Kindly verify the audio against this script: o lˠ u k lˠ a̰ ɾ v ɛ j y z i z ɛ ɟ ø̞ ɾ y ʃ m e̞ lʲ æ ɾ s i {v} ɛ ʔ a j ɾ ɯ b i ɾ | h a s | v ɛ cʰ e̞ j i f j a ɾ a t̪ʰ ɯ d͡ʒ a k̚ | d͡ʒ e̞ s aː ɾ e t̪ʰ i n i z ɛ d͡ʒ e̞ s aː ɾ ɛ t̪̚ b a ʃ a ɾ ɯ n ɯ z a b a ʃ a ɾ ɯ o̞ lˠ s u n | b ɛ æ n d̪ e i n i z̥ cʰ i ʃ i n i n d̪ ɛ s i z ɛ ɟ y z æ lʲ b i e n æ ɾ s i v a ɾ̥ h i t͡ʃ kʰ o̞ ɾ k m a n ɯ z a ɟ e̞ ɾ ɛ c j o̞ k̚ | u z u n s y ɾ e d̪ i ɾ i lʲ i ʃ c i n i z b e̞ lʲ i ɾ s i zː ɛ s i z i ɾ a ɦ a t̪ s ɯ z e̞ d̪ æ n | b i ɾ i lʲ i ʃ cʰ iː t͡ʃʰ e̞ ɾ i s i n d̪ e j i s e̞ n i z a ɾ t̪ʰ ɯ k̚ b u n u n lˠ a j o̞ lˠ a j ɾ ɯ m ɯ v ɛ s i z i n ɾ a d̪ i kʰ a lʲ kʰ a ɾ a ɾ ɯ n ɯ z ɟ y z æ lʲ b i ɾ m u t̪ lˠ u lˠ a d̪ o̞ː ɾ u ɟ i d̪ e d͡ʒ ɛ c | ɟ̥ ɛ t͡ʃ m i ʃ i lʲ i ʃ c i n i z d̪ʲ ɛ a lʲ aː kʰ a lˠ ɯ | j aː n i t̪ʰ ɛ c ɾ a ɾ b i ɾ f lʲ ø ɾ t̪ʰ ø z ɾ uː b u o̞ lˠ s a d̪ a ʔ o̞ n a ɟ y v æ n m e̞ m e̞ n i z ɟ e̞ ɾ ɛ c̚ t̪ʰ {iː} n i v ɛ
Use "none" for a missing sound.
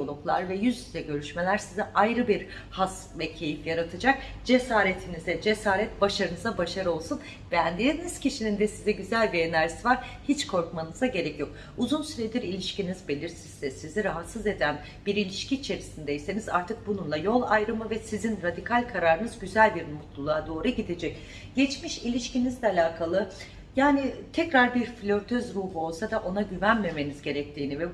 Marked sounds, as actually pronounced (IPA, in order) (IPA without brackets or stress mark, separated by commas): z, iː